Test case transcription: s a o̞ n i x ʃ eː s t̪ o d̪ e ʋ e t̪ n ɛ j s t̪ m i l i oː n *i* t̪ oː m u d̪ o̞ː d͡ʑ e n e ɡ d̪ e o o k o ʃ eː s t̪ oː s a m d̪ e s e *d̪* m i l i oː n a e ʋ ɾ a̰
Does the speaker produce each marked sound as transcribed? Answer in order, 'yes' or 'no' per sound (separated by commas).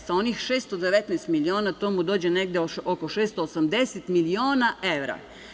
no, no